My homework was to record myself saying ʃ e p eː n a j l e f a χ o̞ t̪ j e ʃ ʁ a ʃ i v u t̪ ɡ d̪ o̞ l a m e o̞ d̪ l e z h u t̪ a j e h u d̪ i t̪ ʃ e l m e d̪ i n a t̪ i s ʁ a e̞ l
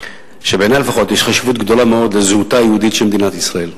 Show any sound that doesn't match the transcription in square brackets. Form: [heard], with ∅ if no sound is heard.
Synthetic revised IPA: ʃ e [b] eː n a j l e f a χ o̞ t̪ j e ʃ [χ] a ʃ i v u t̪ ɡ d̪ o̞ l a m e o̞ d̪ l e z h u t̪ a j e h u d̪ i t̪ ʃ e l m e d̪ i n a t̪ i s ʁ a e̞ l

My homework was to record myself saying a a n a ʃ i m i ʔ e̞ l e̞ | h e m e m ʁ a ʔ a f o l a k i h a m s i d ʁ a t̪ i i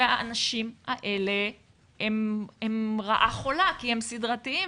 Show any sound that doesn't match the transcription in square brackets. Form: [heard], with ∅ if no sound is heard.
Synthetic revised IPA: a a n a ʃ i m [a] ʔ e̞ l e̞ | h e m e m ʁ a ʔ a [χ] o l a k i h [e] m s i d ʁ a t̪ i i

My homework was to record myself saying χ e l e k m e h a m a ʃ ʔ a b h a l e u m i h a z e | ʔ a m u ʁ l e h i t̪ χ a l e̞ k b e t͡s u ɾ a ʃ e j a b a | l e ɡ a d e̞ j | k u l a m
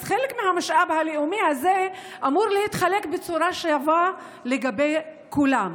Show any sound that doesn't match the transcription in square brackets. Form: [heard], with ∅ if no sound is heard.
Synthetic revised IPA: χ e l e k m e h a m a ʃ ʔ a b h a l e u m i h a z e | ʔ a m u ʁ l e h i t̪ χ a l e̞ k b e t͡s u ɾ a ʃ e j a [v] a | l e ɡ a [b] e̞ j | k u l a m

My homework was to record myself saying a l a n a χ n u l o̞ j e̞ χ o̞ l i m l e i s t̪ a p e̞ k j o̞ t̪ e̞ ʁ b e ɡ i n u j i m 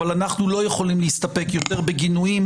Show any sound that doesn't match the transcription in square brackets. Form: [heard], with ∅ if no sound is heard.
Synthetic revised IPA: a l a n a χ n u l o̞ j e̞ χ o̞ l i m l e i s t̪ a p e̞ k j o̞ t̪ e̞ ʁ b e ɡ i n u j i m

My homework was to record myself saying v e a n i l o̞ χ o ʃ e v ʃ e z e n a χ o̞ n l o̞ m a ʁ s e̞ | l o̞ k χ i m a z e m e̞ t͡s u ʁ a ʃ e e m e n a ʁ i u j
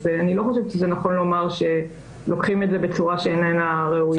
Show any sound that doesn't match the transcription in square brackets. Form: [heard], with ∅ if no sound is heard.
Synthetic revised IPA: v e a n i l o̞ χ o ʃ e v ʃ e z e n a χ o̞ n l o̞ m a ʁ [ʃ] e̞ | l o̞ k χ i m [e] z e [b] e̞ t͡s u ʁ a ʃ e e [n] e n a ʁ [e] u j

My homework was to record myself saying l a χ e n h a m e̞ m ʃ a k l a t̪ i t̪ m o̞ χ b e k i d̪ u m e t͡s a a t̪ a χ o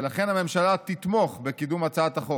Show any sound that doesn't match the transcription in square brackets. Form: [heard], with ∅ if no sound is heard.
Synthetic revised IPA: l a χ e n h a m e̞ m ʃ a [∅] l a t̪ i t̪ m o̞ χ b e k i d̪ u m [a] t͡s a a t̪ a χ o

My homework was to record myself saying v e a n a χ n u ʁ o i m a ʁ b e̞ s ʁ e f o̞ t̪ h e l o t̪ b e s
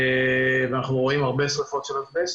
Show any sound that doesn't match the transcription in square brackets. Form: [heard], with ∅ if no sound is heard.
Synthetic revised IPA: v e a n a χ n u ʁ o i m a ʁ b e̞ s ʁ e f o̞ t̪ [ʃ] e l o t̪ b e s

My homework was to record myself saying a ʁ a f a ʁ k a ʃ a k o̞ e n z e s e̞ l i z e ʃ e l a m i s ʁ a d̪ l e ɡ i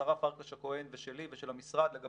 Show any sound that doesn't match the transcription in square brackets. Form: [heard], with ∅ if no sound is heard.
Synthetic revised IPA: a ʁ a f a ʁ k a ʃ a k o̞ e n [v] e [ʃ] e̞ l i [v] e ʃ e l a m i s ʁ a d̪ l e ɡ [a]

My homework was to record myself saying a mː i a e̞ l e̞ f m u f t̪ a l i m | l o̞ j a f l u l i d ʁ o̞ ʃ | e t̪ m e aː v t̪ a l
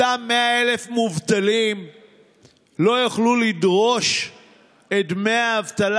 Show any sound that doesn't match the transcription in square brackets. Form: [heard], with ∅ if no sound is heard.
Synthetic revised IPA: a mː [e] a e̞ l e̞ f m u [v] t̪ a l i m | l o̞ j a [χ] l u l i d ʁ o̞ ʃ | e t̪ m e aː v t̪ a l

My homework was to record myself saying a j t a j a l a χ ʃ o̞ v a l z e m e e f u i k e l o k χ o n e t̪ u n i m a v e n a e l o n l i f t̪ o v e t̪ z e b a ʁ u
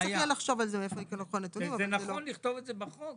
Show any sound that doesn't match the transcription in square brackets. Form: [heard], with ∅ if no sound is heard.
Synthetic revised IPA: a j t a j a l a χ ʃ o̞ v a l z e m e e f [o] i k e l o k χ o n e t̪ u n i m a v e n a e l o n l i [χ] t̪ o v e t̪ z e b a [χ] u

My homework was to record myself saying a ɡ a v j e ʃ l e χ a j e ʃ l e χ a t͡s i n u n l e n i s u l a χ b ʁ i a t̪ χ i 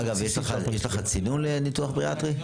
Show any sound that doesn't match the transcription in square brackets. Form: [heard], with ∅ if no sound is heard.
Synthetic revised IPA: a ɡ a v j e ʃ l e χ a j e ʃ l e χ a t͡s i n u n l e n i [t] u [∅] a χ b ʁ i a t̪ [ʁ] i

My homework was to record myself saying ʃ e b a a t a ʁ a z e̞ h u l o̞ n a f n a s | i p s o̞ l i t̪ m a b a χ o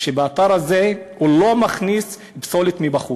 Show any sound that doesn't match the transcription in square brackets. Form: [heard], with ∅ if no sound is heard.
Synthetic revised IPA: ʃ e b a a t a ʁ a z e̞ h u l o̞ [m] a [χ] n [i] s | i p s o̞ l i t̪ m [i] b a χ [u]

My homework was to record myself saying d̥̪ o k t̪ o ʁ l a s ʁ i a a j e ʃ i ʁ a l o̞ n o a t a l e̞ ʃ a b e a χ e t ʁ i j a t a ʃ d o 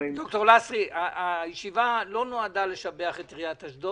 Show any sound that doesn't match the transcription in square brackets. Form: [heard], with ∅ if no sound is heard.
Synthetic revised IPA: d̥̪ o k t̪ o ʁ l a s ʁ i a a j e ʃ i [v] a l o̞ n o a [d] a l e̞ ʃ a b e a χ e t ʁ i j a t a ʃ d o

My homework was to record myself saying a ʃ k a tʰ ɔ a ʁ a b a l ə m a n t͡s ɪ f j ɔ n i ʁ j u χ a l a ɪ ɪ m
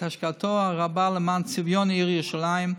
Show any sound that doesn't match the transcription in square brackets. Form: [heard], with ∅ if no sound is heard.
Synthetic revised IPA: a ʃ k a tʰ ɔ a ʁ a b a l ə m a n t͡s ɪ [v] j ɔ n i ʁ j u [ʃ] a l a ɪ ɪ m

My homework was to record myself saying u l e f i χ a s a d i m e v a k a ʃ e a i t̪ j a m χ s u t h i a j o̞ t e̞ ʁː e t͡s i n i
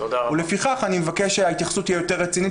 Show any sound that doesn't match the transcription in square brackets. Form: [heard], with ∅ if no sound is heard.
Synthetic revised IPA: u l e f i χ a [χ] a [n] i m e v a k [e] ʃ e a i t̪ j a [∅] χ s u t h i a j o̞ t e̞ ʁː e t͡s i n i

